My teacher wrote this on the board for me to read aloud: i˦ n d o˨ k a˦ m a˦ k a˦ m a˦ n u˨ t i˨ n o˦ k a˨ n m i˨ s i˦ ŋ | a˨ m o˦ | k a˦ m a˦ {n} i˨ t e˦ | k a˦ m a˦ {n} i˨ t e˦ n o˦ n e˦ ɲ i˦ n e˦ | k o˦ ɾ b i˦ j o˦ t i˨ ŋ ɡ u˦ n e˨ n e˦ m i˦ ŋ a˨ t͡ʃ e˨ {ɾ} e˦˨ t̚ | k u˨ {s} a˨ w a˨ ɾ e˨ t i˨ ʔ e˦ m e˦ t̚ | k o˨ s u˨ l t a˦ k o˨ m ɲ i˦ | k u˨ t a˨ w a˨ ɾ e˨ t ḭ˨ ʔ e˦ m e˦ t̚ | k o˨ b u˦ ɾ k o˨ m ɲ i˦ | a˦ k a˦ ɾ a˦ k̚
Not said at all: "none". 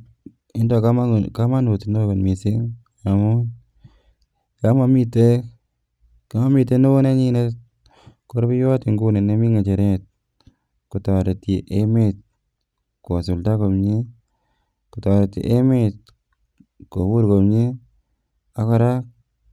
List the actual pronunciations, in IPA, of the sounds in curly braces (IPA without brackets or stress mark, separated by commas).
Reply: m, m, ɾ, t